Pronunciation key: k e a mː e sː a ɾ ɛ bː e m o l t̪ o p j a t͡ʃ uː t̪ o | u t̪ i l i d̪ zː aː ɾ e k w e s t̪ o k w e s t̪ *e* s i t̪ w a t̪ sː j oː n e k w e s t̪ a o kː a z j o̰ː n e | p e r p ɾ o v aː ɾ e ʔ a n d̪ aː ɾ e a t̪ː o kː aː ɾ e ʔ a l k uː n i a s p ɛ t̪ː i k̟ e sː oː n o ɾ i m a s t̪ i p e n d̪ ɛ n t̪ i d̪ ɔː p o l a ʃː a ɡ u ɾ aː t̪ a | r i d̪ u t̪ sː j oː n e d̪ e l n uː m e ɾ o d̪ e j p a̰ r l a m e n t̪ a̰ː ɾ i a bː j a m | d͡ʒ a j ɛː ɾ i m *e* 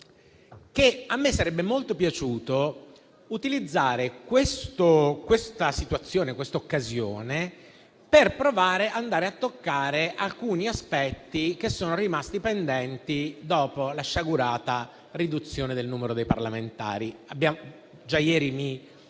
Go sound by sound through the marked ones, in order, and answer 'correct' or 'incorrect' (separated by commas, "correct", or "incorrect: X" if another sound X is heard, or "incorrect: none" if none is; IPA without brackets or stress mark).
incorrect: a, incorrect: i